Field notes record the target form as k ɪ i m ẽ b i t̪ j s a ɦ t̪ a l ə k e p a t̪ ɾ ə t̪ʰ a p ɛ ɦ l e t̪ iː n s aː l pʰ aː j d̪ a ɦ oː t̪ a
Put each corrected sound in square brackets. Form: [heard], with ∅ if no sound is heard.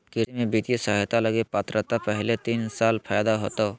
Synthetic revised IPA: k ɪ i m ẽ b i t̪ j s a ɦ t̪ a l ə [ɡ] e p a t̪ ɾ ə [t̪] a p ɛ ɦ l e t̪ iː n s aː l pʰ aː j d̪ a ɦ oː t̪ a